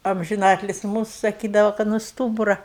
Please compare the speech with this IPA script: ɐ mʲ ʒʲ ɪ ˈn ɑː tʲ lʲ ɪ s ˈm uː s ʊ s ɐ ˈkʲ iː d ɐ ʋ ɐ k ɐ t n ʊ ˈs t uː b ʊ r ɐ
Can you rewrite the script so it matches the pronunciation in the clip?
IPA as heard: ɐ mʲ ʒʲ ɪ ˈn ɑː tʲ lʲ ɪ s ˈm uː s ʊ s ɐ ˈkʲ iː d ɐ ʋ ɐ k ɐ t n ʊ ˈs t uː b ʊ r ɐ